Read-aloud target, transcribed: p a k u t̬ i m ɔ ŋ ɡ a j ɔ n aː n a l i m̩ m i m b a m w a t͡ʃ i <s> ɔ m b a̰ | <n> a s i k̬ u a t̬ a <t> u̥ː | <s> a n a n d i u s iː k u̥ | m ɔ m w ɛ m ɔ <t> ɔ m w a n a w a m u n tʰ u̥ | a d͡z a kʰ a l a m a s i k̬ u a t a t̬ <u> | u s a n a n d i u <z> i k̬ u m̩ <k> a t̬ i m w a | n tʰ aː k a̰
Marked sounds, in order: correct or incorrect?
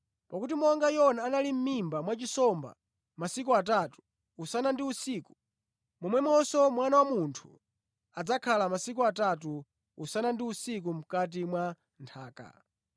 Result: correct, incorrect, correct, correct, incorrect, correct, incorrect, correct

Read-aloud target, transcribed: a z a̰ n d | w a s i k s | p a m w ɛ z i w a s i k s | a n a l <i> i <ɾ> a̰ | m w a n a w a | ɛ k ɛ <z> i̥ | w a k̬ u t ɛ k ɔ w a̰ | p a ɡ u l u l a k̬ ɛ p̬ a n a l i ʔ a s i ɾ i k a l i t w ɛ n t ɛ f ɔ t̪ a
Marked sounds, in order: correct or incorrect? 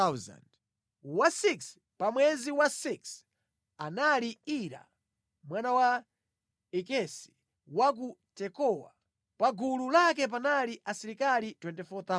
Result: correct, correct, incorrect

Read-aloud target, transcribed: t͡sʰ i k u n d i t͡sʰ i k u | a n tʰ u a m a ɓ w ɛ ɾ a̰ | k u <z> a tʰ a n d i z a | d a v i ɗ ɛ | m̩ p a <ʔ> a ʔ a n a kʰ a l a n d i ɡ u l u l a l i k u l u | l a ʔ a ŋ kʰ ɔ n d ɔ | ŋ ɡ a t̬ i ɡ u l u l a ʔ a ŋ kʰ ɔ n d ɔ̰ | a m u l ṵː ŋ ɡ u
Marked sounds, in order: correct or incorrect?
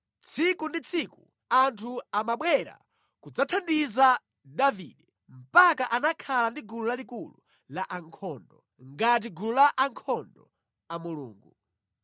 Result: incorrect, incorrect

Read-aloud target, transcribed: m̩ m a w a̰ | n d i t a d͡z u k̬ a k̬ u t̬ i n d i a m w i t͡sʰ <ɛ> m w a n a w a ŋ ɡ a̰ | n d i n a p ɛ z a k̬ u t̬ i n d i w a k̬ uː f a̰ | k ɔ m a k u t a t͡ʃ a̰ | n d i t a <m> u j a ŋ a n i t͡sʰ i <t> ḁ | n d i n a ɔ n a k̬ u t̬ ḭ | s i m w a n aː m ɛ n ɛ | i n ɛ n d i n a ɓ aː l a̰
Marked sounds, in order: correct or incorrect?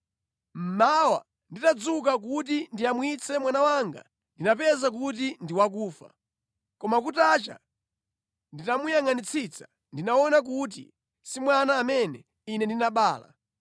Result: correct, correct, incorrect

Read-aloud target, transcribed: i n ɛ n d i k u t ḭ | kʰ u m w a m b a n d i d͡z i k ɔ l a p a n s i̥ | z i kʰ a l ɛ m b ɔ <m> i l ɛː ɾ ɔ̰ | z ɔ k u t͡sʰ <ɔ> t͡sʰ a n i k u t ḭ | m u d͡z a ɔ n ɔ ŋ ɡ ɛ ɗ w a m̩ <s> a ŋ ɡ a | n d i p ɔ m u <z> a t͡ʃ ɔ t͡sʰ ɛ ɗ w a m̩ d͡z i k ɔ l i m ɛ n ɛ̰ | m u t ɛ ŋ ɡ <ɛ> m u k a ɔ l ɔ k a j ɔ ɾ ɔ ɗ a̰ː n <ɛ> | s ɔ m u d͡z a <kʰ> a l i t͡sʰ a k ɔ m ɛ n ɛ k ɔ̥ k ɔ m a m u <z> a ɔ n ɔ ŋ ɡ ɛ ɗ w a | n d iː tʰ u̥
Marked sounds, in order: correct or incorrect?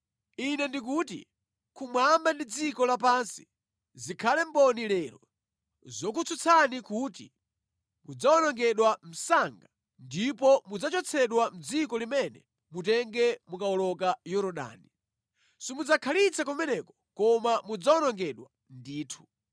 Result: incorrect, incorrect, correct, incorrect, correct, incorrect, correct, incorrect

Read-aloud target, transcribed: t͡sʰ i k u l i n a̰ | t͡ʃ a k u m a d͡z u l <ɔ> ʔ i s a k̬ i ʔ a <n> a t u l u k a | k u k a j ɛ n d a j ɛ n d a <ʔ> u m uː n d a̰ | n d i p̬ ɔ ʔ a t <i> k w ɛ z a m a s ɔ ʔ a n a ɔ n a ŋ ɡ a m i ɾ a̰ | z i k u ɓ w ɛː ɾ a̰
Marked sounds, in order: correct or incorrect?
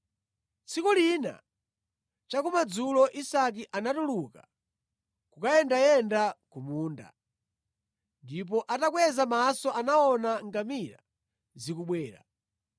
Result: correct, correct, incorrect, incorrect

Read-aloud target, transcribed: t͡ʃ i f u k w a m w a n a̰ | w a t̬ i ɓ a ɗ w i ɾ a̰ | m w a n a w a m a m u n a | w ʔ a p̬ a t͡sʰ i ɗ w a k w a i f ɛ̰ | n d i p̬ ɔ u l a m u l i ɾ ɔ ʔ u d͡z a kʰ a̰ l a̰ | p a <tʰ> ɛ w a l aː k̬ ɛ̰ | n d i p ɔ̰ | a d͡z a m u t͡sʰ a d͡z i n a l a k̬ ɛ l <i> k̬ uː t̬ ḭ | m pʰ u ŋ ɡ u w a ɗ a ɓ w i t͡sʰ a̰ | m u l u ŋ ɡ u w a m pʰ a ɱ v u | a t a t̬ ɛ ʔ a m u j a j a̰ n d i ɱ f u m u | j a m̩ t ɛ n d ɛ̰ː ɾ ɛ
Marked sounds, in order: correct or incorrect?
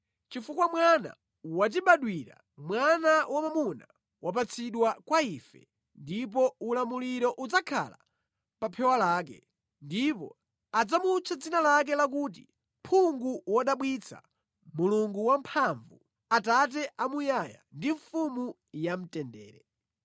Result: incorrect, incorrect

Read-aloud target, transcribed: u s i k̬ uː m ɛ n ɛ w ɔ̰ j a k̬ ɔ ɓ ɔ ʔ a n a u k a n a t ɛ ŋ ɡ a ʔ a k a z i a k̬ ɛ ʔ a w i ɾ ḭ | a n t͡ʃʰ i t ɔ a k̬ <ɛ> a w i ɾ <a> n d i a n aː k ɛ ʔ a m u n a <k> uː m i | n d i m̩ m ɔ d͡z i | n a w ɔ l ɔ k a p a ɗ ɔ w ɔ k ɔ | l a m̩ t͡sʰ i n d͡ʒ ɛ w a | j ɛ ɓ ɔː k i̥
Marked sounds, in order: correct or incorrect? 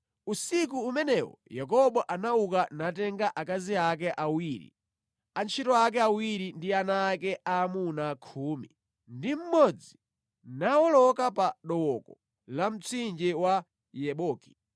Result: correct, incorrect, incorrect

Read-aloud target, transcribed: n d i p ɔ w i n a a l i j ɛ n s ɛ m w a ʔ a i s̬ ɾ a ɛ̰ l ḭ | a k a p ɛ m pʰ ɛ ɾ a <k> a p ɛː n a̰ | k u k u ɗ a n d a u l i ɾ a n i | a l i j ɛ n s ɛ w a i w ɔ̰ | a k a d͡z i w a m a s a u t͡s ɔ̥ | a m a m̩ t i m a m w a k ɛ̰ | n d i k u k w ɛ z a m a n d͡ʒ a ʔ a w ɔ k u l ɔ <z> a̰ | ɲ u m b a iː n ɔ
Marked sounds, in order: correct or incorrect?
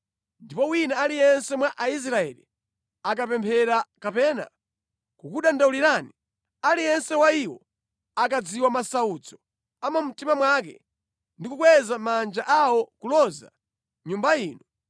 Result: correct, correct

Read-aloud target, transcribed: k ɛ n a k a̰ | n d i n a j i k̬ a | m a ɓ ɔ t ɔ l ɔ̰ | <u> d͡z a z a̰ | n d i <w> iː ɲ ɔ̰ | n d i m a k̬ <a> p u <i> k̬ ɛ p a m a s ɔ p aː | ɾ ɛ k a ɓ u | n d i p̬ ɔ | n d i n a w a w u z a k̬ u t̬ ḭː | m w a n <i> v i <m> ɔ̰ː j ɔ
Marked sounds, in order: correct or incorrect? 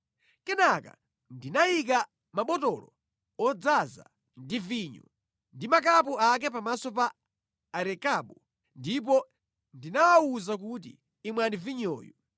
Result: incorrect, incorrect, correct, incorrect, correct, incorrect

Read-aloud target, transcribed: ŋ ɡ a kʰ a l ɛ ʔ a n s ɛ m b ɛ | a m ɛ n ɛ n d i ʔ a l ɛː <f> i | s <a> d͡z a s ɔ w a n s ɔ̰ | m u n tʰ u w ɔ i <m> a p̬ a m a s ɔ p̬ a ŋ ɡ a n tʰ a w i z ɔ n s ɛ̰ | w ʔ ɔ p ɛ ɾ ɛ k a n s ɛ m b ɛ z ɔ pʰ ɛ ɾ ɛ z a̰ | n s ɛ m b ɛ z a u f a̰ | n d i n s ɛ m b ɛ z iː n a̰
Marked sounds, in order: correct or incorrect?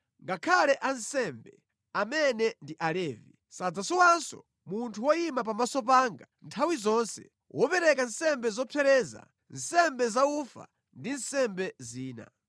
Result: incorrect, correct, correct

